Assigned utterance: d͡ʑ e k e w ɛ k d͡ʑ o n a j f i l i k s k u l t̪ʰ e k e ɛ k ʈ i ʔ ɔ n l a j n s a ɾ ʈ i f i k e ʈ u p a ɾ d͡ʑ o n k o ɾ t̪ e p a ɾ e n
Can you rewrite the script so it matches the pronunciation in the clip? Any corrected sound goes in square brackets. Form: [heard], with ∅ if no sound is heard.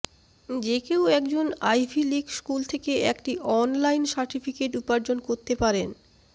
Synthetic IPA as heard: d͡ʑ e k e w ɛ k d͡ʑ o n a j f i l i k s k u l t̪ʰ e k e ɛ k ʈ i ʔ ɔ n l a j n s a ɾ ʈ i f i k e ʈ u p a ɾ d͡ʑ o n k o ɾ t̪ e p a ɾ e n